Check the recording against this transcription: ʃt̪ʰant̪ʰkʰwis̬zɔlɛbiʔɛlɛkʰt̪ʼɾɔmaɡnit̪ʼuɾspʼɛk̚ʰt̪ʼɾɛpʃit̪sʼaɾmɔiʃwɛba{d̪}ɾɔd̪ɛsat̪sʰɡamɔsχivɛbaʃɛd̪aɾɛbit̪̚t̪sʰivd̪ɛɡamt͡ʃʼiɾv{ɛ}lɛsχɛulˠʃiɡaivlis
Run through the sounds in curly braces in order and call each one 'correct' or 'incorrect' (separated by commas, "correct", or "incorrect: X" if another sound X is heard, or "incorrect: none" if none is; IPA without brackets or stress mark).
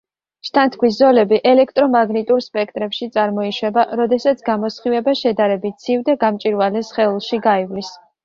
incorrect: none, incorrect: a